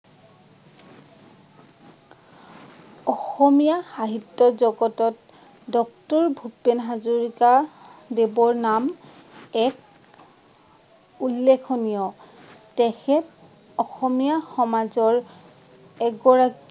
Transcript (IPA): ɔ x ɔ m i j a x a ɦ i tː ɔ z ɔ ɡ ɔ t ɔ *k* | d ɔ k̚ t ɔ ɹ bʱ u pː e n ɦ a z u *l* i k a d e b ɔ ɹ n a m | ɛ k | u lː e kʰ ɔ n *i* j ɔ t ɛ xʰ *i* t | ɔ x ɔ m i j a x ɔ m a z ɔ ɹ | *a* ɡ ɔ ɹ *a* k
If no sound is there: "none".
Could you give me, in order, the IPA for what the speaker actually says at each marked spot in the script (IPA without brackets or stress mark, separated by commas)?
t, ɹ, i, ɛ, ɛ, a